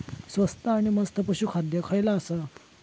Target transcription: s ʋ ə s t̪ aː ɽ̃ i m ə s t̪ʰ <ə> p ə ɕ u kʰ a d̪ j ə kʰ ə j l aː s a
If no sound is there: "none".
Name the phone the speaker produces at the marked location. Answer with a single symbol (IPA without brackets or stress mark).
ə